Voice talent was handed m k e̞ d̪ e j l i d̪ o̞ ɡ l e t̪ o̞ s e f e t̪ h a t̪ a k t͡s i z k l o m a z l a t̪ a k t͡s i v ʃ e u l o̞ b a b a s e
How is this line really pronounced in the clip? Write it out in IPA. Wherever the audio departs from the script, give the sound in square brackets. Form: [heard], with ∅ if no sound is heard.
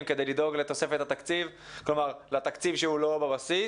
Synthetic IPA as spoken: m k e̞ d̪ e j l i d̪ o̞ ɡ l e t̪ o̞ s e f e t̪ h a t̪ a k t͡s i [v] k l o m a [ʁ] l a t̪ a k t͡s i v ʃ e u l o̞ b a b a s [i]